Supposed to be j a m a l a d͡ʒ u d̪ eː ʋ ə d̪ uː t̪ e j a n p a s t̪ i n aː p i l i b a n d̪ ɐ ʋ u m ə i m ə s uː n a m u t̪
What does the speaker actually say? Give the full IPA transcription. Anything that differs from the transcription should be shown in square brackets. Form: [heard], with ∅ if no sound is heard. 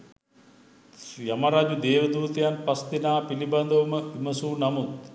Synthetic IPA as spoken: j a m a [ɾ] a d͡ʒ u d̪ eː ʋ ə d̪ uː t̪ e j a n p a s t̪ i n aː p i l i b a n d̪ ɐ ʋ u m ə i m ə s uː n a m u t̪